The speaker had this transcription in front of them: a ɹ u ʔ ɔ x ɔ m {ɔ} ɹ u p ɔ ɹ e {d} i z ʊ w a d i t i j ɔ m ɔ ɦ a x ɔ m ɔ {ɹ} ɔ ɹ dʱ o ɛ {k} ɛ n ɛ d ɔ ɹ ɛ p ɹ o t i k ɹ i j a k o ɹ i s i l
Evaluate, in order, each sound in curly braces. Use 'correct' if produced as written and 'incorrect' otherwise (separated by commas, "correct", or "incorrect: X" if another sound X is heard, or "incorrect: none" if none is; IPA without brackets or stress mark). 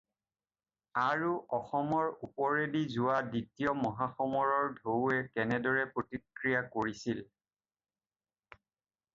correct, correct, correct, correct